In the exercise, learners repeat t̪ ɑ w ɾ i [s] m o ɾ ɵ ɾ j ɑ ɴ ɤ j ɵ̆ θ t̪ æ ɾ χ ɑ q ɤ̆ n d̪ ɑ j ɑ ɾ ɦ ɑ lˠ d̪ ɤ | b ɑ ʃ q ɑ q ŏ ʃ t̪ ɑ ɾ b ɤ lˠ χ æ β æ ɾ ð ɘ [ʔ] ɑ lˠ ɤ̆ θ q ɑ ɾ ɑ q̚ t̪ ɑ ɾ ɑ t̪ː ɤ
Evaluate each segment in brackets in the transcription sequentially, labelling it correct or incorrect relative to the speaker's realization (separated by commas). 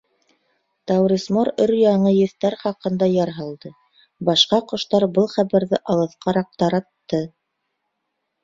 correct, correct